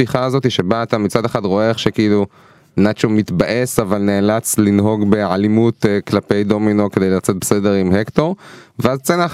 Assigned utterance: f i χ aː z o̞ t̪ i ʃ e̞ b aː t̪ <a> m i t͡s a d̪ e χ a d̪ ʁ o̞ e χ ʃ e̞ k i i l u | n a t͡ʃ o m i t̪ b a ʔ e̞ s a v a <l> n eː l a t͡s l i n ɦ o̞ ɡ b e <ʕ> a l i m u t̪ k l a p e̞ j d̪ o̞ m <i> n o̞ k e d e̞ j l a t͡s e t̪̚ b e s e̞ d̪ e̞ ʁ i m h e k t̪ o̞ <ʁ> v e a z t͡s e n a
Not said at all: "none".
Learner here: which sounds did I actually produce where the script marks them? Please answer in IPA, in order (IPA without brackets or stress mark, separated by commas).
a, l, ʕ, i, ʁ